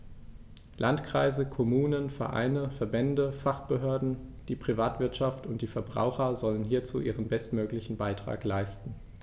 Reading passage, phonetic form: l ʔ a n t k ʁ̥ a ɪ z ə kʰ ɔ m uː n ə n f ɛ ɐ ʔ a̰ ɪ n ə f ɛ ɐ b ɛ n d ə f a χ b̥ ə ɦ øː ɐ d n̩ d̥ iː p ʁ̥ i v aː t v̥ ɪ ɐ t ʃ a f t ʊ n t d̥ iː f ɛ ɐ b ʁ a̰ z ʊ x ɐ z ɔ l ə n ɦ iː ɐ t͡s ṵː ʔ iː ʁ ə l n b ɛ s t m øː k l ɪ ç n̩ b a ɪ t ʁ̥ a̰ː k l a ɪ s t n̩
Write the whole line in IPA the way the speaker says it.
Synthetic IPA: l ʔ a n t k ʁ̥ a ɪ z ə kʰ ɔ m uː n ə n f ɛ ɐ ʔ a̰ ɪ n ə f ɛ ɐ b ɛ n d ə f a χ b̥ ə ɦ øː ɐ d n̩ d̥ iː p ʁ̥ i v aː t v̥ ɪ ɐ t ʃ a f t ʊ n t d̥ iː f ɛ ɐ b ʁ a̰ ʊ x ɐ z ɔ l ə n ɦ iː ɐ t͡s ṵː ʔ iː ʁ ə n b ɛ s t m øː k l ɪ ç n̩ b a ɪ t ʁ̥ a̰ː k l a ɪ s t n̩